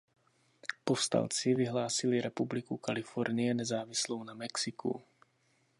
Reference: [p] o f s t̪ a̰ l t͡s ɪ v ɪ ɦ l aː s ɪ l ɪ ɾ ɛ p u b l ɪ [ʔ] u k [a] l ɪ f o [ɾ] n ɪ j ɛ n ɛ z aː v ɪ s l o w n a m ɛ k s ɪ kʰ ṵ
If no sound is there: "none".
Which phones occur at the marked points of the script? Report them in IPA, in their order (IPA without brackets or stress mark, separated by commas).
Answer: p, k, a, ɾ